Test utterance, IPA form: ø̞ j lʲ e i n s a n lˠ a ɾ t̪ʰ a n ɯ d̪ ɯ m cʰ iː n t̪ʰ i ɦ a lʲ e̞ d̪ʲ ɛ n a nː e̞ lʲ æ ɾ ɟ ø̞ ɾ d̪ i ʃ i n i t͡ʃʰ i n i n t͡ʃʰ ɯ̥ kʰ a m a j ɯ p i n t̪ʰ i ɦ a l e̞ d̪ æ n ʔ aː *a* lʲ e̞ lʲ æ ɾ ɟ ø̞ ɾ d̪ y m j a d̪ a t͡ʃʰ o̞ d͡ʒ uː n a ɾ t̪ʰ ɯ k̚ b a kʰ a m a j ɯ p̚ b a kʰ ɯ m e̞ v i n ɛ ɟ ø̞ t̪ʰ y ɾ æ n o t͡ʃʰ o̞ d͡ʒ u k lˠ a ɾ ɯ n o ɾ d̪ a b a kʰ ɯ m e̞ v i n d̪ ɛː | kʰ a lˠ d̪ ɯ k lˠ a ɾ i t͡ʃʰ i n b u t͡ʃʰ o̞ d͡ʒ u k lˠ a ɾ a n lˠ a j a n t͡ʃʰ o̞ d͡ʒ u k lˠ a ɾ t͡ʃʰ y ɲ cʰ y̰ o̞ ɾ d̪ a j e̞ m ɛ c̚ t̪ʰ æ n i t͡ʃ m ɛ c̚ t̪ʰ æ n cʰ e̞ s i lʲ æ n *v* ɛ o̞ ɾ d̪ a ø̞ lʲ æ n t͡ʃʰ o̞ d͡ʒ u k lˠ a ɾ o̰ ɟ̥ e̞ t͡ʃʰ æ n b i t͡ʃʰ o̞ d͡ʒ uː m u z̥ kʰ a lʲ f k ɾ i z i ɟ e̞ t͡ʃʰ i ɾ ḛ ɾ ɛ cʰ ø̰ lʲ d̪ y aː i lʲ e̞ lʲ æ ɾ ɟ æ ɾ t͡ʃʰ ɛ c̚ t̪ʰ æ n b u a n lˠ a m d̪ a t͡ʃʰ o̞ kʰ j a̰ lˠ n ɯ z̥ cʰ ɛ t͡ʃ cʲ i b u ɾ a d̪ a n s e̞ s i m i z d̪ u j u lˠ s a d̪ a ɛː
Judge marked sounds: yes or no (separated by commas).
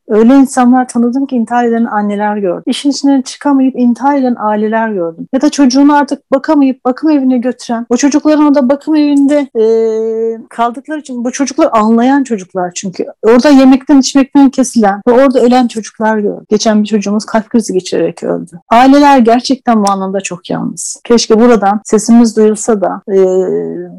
no, yes